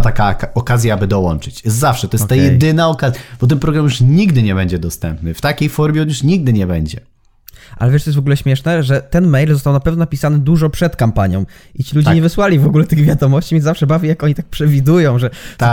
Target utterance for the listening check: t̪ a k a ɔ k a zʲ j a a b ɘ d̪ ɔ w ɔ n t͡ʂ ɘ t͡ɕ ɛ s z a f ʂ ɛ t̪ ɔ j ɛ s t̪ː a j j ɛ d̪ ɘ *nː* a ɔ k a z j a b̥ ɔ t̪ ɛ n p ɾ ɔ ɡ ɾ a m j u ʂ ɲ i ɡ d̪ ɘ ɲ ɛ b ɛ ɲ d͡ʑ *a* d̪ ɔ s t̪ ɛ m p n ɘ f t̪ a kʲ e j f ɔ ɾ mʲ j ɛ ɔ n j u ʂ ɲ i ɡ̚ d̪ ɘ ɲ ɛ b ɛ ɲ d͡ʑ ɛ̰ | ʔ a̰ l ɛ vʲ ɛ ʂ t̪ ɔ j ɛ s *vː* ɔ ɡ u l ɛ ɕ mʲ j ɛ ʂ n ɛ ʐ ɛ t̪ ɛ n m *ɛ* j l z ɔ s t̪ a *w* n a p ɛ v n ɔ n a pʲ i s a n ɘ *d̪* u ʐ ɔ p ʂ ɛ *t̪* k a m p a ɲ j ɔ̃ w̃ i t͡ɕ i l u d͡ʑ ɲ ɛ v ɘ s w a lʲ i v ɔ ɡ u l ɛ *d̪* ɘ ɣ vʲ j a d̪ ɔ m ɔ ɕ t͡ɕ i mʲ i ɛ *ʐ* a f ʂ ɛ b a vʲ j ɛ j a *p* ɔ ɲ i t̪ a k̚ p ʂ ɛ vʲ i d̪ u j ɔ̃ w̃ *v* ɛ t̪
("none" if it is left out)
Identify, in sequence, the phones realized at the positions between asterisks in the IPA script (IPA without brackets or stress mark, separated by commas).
n, ɛ, v, ɛ, w, d̪, t̪, t̪, z, k, ʐ